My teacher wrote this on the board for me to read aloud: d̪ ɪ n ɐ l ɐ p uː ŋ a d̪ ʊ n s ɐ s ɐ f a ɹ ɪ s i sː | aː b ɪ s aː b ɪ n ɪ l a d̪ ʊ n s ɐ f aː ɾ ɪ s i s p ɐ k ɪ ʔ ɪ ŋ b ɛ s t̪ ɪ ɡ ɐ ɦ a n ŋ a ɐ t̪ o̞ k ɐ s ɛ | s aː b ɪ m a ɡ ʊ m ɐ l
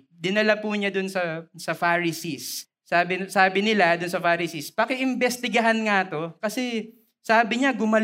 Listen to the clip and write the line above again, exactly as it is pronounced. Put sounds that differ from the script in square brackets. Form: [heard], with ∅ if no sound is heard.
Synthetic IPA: d̪ ɪ n ɐ l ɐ p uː [ɲ] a d̪ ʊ n s ɐ s ɐ f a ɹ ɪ s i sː | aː b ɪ s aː b ɪ n ɪ l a d̪ ʊ n s ɐ f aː ɾ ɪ s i s p ɐ k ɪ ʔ ɪ [m] b ɛ s t̪ ɪ ɡ ɐ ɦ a n ŋ a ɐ t̪ o̞ k ɐ s ɛ | s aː b ɪ [ɲ] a ɡ ʊ m ɐ l